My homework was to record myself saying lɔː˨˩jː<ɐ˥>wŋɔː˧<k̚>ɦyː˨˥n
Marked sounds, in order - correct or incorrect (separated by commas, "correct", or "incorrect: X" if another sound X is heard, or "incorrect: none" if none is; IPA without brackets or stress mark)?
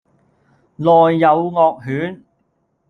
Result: incorrect: ɐ˨˧, correct